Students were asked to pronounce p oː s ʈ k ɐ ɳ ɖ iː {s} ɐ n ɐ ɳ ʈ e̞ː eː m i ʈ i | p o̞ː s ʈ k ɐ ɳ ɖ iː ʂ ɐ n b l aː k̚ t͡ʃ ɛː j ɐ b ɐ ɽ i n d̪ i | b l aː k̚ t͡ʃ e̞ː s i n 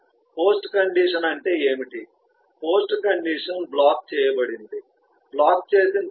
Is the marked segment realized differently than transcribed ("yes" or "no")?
yes